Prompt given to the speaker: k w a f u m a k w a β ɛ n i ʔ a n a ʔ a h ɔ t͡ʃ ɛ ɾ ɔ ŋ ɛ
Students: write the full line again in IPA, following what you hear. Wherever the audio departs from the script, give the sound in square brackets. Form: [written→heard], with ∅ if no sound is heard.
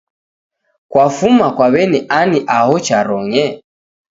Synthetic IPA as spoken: k w a f u m a k w a β ɛ n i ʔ a n [a→i] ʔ a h ɔ t͡ʃ [ɛ→a] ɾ ɔ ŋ ɛ